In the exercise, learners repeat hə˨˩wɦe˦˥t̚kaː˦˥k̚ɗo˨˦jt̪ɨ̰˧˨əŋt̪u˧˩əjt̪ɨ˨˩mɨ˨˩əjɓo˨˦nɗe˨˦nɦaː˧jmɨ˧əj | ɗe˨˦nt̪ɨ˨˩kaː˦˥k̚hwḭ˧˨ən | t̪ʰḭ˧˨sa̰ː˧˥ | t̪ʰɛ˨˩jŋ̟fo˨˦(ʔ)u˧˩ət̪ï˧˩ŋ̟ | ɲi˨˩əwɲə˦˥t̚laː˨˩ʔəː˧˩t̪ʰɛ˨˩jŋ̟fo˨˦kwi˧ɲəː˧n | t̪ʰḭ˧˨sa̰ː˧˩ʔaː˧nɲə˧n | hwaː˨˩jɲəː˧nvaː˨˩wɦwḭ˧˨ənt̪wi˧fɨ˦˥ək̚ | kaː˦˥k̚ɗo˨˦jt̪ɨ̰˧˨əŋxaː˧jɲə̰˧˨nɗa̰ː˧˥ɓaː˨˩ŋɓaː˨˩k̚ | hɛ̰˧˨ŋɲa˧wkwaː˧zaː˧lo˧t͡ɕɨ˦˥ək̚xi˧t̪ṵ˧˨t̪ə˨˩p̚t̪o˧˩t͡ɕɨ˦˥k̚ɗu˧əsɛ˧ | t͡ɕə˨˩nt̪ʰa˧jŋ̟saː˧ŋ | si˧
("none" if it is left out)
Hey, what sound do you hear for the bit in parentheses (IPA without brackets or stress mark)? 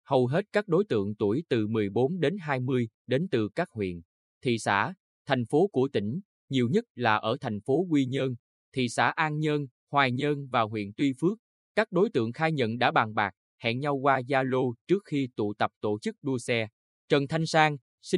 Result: k